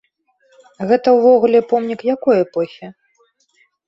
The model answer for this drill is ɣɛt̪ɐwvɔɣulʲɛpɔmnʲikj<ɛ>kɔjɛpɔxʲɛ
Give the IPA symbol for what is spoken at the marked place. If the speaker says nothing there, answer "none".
a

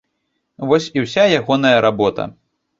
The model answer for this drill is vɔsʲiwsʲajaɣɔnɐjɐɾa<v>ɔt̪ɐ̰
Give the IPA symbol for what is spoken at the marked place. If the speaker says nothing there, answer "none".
b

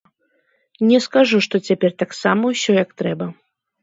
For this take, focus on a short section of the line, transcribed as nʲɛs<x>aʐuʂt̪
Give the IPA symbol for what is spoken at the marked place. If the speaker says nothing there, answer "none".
k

